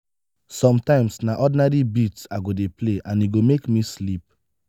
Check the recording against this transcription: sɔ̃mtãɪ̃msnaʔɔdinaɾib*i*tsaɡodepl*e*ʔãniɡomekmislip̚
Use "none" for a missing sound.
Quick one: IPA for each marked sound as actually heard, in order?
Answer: i, e

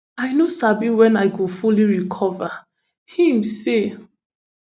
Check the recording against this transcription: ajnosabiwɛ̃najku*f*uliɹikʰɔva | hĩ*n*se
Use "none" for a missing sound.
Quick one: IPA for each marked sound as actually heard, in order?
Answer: f, m

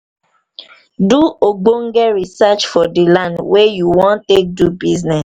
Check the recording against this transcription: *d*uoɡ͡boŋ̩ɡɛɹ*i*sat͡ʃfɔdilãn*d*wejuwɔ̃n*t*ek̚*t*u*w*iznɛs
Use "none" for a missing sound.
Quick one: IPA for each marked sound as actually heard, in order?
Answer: d, i, d, t, d, b

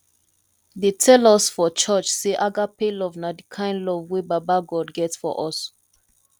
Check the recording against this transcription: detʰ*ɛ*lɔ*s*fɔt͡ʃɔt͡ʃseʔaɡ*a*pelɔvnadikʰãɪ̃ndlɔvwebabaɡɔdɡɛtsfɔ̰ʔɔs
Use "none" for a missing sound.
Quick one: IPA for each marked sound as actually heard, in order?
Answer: ɛ, s, a

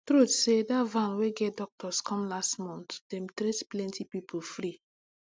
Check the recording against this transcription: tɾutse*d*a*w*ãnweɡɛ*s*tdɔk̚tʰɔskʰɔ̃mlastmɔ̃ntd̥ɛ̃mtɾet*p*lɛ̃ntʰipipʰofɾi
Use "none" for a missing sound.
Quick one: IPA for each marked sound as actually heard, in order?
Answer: d, v, none, p

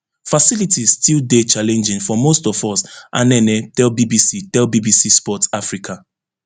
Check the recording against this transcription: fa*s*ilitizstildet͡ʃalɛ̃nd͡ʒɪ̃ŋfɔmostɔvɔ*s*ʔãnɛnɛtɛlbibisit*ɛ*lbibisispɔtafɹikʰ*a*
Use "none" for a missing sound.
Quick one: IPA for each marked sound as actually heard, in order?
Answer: s, s, ɛ, a

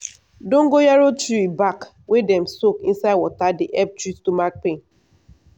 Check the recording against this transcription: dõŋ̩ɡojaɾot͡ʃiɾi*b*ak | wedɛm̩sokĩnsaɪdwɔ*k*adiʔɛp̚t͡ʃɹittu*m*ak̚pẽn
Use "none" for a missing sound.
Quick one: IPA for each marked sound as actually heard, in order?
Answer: b, t, m

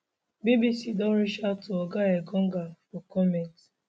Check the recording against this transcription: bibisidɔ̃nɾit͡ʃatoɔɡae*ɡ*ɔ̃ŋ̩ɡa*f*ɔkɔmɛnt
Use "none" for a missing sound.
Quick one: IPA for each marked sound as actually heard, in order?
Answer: ɡ, f

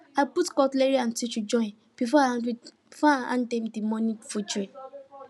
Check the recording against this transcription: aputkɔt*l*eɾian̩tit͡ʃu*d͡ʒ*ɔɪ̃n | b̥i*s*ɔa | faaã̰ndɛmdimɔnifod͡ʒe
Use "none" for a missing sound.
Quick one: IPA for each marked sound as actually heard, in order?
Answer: l, d͡ʒ, f

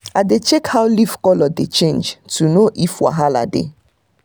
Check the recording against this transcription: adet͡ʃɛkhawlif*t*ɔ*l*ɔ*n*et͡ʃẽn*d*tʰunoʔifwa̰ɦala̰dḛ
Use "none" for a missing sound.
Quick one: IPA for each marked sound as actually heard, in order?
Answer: k, l, d, d͡ʒ

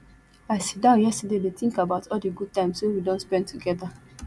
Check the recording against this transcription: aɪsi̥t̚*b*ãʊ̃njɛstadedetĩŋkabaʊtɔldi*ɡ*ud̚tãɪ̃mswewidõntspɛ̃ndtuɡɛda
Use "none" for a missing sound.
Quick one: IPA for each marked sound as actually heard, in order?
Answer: d, ɡ

